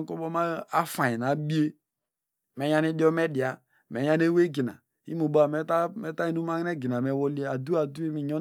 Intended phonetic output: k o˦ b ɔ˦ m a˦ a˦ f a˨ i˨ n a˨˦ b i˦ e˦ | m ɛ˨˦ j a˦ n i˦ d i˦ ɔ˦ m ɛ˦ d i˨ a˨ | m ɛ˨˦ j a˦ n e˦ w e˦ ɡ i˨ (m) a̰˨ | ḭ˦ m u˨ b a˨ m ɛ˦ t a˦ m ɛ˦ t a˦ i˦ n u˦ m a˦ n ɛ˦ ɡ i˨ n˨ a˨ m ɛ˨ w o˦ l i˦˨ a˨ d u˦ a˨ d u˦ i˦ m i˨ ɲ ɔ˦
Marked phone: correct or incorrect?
incorrect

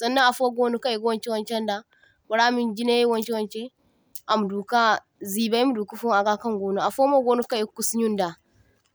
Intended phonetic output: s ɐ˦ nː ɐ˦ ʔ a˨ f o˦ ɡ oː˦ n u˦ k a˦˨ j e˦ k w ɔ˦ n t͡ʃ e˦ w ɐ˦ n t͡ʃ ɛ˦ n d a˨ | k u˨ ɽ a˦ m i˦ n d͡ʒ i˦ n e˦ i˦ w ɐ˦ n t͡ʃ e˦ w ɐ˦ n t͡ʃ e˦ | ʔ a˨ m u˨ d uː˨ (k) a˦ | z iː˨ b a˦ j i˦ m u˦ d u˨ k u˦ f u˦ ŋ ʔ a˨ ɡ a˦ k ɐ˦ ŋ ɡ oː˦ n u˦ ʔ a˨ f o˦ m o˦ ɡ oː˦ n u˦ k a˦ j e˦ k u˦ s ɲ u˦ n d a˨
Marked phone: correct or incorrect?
correct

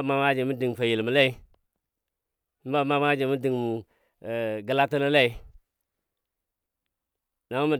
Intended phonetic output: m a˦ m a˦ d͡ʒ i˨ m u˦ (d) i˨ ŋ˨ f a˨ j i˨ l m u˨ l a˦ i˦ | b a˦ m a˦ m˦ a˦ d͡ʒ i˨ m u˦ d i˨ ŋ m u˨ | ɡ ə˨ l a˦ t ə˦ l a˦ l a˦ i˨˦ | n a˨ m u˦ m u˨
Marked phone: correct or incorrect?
correct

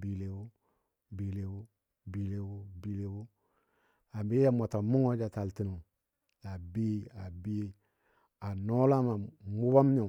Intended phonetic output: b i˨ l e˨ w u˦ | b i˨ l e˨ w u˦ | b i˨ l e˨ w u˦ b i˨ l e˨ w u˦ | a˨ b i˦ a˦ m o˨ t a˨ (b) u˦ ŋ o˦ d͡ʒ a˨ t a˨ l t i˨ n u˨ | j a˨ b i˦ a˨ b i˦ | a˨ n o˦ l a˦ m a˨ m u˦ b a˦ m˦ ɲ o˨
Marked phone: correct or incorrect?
incorrect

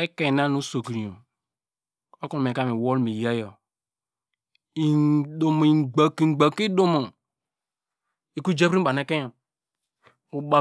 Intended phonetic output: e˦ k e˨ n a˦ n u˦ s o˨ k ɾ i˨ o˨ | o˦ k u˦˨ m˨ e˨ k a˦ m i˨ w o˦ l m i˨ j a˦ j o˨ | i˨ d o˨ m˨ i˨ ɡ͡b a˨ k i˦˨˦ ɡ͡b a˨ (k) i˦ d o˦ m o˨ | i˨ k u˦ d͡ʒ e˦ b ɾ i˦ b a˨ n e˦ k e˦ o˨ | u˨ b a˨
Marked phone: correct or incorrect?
correct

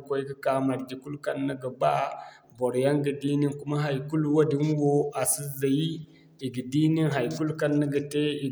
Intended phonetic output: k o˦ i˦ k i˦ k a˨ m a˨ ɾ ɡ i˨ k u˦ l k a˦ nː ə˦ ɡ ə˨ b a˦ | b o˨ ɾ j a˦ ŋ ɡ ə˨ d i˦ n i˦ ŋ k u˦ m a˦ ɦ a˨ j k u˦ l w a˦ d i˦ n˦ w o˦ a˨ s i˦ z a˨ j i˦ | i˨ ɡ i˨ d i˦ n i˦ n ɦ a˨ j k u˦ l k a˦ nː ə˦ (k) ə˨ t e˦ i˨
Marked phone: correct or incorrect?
incorrect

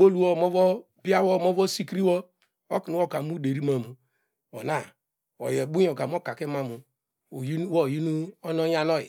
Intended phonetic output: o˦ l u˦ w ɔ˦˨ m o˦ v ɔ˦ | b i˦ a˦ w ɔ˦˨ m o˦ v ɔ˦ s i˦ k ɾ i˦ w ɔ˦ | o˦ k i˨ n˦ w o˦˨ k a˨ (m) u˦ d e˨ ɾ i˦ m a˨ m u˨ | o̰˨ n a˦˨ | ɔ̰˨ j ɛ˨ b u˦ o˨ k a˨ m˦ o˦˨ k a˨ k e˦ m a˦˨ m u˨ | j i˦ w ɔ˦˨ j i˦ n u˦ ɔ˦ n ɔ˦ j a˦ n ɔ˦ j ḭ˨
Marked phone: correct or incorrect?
correct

